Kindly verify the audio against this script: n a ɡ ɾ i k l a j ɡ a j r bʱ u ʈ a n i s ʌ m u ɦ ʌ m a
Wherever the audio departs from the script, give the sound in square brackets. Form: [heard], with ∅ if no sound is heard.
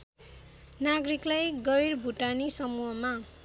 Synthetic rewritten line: n a ɡ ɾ i k l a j ɡ [ʌ] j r bʱ u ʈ a n i s ʌ m u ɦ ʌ m a